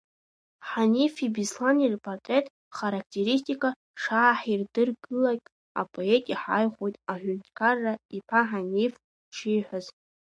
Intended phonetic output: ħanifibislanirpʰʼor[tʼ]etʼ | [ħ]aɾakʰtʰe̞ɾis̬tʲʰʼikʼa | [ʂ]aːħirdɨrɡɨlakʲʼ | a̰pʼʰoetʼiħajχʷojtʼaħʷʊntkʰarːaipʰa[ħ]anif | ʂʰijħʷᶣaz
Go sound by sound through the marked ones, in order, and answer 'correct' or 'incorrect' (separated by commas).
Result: correct, incorrect, correct, correct